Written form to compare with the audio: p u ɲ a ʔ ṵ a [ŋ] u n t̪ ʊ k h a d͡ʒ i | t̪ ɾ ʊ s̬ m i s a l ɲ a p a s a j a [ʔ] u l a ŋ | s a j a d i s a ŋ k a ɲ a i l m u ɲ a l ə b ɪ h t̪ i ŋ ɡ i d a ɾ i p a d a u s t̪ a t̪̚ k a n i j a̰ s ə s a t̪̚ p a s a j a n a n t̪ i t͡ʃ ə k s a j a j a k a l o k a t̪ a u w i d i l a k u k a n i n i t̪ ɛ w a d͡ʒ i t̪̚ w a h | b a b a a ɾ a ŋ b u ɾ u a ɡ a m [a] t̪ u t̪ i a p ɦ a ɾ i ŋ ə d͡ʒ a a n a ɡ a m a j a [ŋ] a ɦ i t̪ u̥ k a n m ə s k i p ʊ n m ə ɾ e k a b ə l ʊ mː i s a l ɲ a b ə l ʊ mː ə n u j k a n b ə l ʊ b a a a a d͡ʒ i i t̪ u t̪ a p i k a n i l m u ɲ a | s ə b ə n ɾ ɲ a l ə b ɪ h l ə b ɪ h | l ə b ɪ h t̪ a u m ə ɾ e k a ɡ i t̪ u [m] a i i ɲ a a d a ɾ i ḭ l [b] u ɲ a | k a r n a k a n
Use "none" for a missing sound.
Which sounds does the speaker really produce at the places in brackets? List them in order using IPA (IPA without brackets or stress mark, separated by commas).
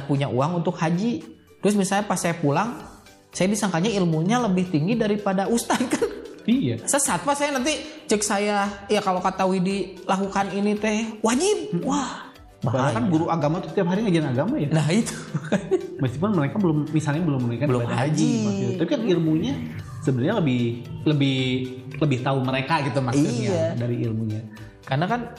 ŋ, p, a, n, m, m